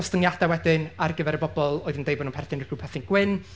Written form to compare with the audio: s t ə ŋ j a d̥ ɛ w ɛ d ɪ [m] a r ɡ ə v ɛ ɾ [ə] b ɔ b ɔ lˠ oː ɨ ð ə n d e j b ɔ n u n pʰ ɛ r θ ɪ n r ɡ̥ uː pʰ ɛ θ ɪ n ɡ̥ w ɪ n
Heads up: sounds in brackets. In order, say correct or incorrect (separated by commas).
incorrect, correct